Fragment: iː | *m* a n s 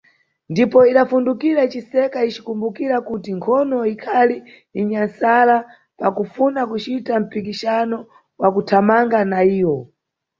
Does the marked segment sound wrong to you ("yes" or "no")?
yes